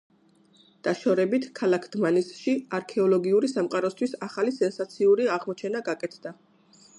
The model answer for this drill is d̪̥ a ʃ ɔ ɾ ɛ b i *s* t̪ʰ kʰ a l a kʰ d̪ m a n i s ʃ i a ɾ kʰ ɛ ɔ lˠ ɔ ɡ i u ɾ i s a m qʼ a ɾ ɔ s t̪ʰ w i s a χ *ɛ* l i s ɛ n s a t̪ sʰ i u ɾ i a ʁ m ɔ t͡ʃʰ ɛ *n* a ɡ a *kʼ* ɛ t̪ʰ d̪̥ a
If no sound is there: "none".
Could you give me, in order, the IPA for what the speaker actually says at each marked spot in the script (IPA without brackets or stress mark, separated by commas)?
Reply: none, a, n, kʼ